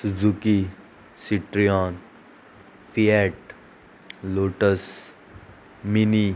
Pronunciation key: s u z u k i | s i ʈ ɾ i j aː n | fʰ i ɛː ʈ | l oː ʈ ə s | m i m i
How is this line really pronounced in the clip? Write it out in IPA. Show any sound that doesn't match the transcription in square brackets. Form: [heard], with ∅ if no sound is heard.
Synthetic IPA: s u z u k i | s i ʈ ɾ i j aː n | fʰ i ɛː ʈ | l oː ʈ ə s | m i [n] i

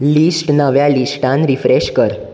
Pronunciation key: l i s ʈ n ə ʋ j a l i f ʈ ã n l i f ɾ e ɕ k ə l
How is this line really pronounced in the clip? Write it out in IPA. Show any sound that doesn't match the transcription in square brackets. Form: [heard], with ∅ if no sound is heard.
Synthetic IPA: l i s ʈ n ə ʋ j a l i [s] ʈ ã n [ɾ] i f ɾ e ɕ k ə [ɾ]

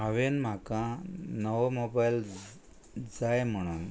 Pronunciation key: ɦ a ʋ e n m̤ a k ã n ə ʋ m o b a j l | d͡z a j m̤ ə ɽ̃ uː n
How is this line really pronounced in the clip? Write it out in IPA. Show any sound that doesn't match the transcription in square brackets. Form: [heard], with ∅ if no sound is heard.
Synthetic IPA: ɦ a ʋ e n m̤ a k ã n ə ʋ m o b a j l | d͡z a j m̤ ə ɽ̃ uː n

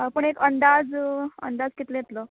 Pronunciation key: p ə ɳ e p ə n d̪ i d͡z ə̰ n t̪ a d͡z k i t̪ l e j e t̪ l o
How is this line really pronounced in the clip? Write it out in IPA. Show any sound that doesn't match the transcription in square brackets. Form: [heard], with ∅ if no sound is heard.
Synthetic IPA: p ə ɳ e [k] ə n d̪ [a] d͡z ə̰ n [d̪] a d͡z k i t̪ l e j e t̪ l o

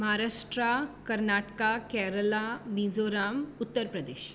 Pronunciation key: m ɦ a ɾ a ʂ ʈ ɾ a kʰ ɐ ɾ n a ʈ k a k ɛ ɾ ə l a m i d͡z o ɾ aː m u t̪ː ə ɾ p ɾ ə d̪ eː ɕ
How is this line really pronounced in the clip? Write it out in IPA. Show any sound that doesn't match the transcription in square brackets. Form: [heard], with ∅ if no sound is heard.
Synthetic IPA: m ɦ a ɾ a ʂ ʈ ɾ a [k] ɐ ɾ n a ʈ k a k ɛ ɾ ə l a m i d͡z o ɾ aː m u t̪ː ə ɾ p ɾ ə d̪ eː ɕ

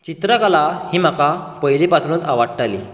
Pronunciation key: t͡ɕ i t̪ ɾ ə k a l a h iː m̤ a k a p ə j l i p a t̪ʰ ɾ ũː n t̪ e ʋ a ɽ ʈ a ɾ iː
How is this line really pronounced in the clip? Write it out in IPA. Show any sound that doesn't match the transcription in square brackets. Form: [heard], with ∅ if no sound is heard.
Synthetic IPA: t͡ɕ i t̪ ɾ ə k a l a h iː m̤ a k a p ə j l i p a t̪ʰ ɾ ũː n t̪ [a] ʋ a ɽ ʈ a [l] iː

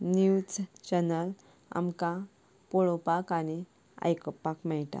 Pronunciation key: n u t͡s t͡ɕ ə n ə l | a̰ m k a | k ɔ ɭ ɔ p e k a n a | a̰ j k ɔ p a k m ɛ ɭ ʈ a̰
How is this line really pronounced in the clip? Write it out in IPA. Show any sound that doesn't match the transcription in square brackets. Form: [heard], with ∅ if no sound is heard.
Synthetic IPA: n u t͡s t͡ɕ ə n ə l | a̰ m k a | [p] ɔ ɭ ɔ p [a] k a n [i] | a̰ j k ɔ p a k m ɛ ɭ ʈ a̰

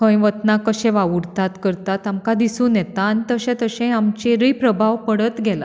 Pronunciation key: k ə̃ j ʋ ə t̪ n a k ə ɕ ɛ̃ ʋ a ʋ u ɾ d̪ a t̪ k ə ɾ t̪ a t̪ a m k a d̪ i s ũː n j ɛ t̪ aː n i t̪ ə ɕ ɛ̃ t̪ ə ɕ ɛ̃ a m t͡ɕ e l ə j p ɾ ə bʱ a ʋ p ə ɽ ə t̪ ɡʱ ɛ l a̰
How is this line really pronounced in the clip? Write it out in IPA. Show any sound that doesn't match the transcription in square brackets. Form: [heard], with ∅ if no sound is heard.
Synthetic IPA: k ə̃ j ʋ ə t̪ n a k ə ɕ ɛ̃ ʋ a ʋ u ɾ [t̪] a t̪ k ə ɾ t̪ a t̪ a m k a d̪ i s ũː n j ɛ t̪ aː n i t̪ ə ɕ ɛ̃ t̪ ə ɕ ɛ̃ a m t͡ɕ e [ɾ] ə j p ɾ ə bʱ a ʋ p ə ɽ ə t̪ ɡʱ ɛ l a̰

